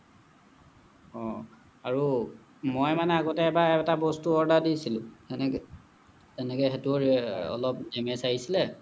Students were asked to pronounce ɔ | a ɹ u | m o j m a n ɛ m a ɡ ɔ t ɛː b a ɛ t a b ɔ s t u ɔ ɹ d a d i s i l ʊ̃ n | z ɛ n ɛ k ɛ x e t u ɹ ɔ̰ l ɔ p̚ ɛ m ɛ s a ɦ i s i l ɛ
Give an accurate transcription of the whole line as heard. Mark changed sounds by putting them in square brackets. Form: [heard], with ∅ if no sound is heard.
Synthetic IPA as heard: ɔ | a ɹ u | m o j m a n ɛ [∅] a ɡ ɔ t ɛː b a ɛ t a b ɔ s t u ɔ ɹ d a d i s i l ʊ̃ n | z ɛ n ɛ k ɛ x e t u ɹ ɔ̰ l ɔ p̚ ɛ m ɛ s a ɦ i s i l ɛ